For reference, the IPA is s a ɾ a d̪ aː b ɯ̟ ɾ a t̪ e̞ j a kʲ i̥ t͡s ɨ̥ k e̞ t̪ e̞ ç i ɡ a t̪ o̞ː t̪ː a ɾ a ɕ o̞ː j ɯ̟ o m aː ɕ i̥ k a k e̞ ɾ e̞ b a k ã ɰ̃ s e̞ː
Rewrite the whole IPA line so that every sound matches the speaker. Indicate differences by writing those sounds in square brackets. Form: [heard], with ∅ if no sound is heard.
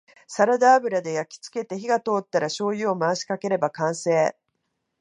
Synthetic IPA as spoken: s a ɾ a d̪ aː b ɯ̟ ɾ a [d̪] e̞ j a kʲ i̥ t͡s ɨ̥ k e̞ t̪ e̞ ç i ɡ a t̪ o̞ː t̪ː a ɾ a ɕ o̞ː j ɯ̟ o m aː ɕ i̥ k a k e̞ ɾ e̞ b a k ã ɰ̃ s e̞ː